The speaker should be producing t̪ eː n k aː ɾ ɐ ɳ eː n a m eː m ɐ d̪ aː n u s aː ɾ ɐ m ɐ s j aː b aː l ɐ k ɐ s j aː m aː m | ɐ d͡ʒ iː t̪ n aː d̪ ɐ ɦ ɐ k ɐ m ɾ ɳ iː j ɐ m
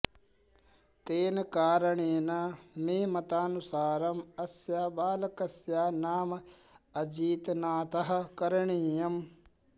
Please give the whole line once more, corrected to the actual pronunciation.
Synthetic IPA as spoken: t̪ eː n k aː ɾ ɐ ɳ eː n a m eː m ɐ t̪ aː n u s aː ɾ ɐ m ɐ s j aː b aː l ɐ k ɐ s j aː n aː m | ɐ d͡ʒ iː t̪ n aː t̪ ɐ ɦ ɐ k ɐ ɾ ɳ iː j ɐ m